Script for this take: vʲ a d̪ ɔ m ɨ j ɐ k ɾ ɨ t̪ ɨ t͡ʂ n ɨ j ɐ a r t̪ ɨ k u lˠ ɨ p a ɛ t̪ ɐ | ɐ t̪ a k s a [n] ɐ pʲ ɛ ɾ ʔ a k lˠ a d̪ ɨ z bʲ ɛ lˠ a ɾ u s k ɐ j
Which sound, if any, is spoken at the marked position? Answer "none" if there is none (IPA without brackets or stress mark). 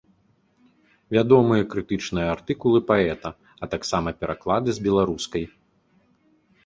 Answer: m